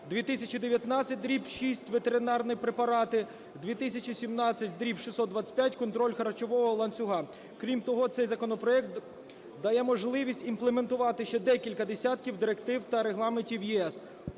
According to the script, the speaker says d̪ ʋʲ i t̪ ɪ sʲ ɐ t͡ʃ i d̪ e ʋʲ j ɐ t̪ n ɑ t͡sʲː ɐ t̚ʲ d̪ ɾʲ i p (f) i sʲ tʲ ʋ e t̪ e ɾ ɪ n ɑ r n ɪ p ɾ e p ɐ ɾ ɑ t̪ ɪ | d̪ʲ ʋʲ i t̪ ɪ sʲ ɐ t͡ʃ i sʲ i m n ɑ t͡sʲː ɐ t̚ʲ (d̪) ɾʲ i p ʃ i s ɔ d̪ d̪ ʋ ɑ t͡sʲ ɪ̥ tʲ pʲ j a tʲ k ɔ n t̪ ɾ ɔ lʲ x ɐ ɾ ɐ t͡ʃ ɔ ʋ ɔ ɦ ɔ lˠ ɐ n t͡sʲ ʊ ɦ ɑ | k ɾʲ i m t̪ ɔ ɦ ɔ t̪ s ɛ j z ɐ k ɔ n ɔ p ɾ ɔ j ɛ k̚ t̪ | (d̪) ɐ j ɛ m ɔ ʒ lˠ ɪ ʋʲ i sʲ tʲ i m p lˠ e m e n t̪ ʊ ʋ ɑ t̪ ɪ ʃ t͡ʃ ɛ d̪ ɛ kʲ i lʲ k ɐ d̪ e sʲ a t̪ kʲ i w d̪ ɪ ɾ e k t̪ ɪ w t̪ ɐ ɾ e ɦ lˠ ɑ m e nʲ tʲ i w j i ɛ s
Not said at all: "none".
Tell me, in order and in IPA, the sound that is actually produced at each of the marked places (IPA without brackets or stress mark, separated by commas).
ʃ, d̪, d̪